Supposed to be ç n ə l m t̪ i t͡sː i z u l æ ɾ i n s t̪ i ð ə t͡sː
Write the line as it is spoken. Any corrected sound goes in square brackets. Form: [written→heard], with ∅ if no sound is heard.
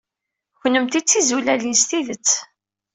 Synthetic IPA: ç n ə [l→∅] m t̪ i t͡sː i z u l æ [ɾ→l] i n s t̪ i ð ə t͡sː